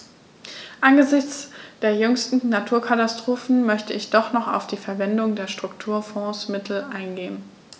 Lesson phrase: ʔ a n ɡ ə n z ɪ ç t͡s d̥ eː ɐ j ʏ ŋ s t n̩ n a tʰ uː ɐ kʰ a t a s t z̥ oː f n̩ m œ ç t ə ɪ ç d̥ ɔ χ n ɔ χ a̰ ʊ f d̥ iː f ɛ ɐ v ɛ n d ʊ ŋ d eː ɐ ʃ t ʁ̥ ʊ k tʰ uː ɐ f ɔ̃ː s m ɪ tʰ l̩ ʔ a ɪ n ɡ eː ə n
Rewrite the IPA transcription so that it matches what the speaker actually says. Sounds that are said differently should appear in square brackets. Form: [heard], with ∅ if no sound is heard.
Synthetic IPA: ʔ a n ɡ ə [∅] z ɪ ç t͡s d̥ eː ɐ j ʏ ŋ s t n̩ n a tʰ uː ɐ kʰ a t a s t [ʁ̥] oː f n̩ m œ ç t ə ɪ ç d̥ ɔ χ n ɔ χ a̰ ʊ f d̥ iː f ɛ ɐ v ɛ n d ʊ ŋ d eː ɐ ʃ t ʁ̥ ʊ k tʰ uː ɐ f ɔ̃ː s m ɪ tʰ l̩ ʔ a ɪ n ɡ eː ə n